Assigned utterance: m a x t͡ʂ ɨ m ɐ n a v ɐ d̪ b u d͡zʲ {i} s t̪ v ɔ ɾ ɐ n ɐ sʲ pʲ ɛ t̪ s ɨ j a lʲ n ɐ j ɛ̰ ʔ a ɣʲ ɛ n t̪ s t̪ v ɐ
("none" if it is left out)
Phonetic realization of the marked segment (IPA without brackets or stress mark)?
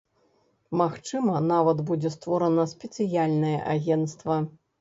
ɛ